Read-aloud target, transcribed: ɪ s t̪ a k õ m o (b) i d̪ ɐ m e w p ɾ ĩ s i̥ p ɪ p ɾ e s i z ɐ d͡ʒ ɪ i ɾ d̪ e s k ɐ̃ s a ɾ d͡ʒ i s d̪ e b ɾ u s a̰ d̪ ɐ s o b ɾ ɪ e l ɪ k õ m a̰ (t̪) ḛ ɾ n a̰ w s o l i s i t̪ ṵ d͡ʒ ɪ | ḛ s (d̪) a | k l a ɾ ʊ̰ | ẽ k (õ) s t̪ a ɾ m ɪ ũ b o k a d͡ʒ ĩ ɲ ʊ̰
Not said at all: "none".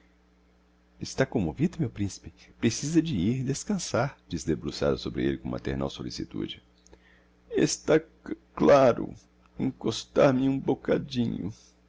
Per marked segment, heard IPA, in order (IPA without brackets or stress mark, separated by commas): v, t̪, t̪, o